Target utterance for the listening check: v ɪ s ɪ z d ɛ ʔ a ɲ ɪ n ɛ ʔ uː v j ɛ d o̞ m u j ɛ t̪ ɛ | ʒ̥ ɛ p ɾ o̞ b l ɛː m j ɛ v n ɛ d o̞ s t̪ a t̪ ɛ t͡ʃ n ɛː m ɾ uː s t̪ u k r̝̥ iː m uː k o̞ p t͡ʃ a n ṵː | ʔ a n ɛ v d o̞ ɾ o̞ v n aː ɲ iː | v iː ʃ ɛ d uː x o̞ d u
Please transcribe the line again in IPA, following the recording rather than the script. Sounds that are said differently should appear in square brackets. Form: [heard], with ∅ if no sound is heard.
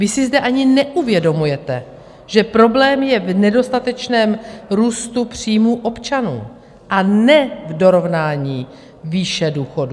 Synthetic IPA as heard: v ɪ s ɪ z d ɛ ʔ a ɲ ɪ n ɛ ʔ [u] v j ɛ d o̞ m u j ɛ t̪ ɛ | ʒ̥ ɛ p ɾ o̞ b l ɛː m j ɛ v n ɛ d o̞ s t̪ a t̪ ɛ t͡ʃ n ɛː m ɾ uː s t̪ u [p] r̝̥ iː m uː [ʔ] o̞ p t͡ʃ a n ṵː | ʔ a n ɛ v d o̞ ɾ o̞ v n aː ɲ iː | v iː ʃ ɛ d uː x o̞ d u